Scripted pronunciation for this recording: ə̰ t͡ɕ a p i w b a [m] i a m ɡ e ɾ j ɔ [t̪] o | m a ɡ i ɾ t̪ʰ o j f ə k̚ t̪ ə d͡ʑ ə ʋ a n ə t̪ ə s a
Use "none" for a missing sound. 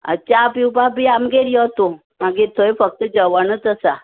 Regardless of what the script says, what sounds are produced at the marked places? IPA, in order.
b, t̪

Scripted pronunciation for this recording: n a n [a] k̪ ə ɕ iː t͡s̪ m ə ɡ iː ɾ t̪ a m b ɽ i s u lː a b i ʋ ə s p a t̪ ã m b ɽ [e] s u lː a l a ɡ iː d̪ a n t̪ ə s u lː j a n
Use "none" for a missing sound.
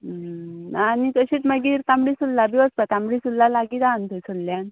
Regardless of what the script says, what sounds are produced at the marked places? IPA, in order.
i, i

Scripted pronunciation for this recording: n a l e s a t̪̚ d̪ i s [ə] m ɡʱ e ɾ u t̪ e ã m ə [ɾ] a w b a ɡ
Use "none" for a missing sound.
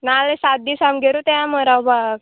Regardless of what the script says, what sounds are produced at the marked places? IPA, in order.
a, ɾ

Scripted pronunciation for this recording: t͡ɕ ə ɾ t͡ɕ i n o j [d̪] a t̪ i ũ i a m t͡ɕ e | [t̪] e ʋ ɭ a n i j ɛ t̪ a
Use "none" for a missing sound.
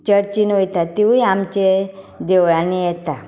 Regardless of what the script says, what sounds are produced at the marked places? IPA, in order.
t̪, d̪

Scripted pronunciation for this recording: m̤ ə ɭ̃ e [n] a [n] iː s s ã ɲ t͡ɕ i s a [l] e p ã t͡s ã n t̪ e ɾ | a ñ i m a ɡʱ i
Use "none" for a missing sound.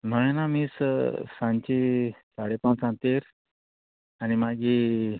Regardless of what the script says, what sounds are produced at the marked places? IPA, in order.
n, m, ɽ

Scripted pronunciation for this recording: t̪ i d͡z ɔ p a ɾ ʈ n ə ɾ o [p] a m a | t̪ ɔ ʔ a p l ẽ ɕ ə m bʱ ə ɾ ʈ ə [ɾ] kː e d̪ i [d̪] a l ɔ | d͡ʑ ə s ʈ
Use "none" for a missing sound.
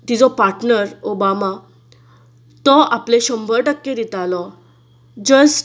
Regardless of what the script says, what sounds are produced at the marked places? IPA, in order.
b, none, t̪

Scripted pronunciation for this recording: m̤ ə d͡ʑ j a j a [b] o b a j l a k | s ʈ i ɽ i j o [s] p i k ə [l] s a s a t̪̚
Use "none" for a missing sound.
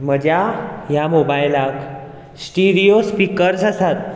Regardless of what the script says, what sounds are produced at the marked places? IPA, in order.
m, s, ɾ

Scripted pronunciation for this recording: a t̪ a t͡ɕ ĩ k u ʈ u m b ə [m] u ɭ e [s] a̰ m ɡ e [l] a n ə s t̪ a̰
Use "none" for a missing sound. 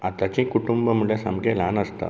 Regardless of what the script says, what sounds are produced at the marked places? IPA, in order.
m, s, l

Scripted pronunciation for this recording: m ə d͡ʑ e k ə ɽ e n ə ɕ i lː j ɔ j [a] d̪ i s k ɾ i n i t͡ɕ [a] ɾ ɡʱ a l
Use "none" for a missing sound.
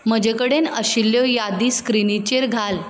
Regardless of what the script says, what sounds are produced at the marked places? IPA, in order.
a, e

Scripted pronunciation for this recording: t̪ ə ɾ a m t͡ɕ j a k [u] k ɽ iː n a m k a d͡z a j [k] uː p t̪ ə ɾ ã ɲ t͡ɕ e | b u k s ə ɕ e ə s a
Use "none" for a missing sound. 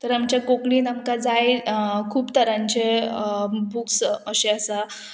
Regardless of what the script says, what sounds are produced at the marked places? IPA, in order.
o, kʰ

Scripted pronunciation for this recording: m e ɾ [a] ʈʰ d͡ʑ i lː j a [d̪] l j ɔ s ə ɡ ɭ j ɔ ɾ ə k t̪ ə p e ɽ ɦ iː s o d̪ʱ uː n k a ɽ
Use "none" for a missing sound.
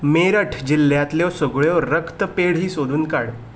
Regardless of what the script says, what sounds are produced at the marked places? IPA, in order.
ə, t̪

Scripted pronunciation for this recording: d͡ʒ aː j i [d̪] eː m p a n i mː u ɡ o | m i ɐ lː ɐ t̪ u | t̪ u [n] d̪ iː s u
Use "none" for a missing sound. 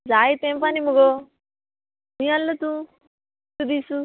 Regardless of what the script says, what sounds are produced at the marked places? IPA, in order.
t̪, none

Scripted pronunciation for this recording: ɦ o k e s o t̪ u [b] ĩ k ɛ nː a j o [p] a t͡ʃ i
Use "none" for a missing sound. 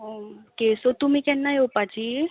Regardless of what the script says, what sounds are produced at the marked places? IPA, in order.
m, p

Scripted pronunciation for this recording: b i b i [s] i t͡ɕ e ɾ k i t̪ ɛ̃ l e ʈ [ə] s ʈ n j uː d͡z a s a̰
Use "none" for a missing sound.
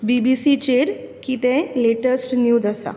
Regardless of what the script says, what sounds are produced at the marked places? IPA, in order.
s, ə

